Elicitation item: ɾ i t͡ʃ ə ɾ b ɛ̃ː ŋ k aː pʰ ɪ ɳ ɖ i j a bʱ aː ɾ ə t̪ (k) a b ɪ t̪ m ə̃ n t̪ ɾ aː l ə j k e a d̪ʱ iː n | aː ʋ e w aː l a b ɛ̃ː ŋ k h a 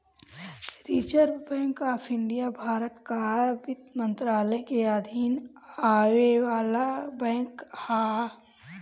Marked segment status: correct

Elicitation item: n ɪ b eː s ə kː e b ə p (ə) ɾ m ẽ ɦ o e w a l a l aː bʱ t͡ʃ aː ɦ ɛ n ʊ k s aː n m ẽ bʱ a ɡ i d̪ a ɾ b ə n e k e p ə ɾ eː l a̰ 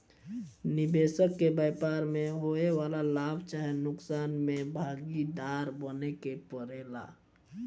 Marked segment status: incorrect: a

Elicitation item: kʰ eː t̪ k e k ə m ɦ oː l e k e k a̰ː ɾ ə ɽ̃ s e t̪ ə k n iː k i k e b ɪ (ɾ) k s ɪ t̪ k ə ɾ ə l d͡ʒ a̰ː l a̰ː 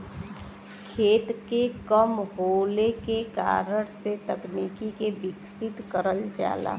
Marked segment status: incorrect: none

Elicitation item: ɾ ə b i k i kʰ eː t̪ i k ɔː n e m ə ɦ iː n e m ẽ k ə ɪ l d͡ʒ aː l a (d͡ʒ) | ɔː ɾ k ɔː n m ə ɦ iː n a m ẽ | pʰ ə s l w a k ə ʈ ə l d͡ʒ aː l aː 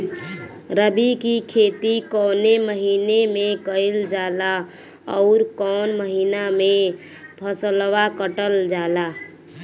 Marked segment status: incorrect: none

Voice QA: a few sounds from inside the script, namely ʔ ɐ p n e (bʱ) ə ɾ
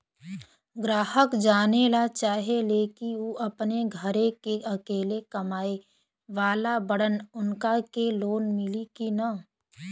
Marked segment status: incorrect: ɡʱ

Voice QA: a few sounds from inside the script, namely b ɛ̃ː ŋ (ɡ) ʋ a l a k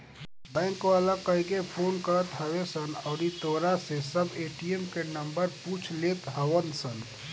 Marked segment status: incorrect: k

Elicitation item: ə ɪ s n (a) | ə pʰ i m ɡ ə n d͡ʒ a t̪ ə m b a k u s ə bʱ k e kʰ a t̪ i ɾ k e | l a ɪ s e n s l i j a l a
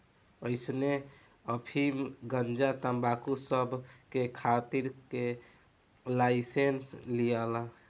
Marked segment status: incorrect: e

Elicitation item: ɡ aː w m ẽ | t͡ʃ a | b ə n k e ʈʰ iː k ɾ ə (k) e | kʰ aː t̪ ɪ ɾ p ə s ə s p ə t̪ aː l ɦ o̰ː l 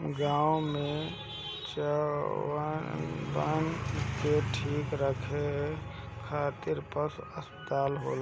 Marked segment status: incorrect: kʰ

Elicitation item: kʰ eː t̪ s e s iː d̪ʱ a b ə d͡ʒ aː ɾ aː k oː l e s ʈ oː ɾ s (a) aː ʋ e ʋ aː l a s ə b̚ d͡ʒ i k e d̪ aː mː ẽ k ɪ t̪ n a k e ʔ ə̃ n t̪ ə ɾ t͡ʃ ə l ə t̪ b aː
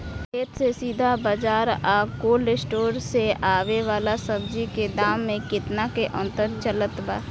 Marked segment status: incorrect: e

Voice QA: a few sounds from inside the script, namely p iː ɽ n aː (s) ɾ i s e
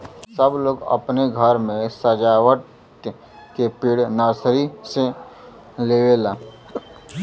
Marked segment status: correct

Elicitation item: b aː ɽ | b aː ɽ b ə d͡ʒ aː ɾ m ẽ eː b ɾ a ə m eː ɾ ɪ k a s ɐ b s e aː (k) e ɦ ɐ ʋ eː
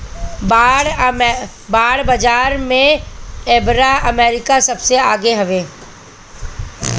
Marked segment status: incorrect: ɡ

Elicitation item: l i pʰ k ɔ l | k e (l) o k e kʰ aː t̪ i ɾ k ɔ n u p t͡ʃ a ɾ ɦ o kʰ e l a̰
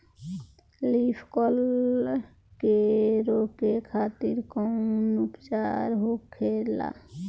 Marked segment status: incorrect: ɾ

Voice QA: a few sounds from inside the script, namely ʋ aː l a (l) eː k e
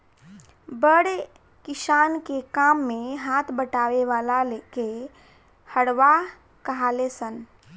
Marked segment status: correct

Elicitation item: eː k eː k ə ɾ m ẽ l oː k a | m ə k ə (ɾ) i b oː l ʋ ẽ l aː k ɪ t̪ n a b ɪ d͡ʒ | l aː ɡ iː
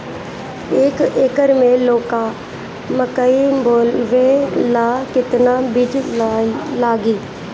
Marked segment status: incorrect: none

